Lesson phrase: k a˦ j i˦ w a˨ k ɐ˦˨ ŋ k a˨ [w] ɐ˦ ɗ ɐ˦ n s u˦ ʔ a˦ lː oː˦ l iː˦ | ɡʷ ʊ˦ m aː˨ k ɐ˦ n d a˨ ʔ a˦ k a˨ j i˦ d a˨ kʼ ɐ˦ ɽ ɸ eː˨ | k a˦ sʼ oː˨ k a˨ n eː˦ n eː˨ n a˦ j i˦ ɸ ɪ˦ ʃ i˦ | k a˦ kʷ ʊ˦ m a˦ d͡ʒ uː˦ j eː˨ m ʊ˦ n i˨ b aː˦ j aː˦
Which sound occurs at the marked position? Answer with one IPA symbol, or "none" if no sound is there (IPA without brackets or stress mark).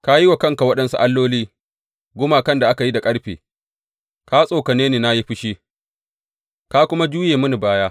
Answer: w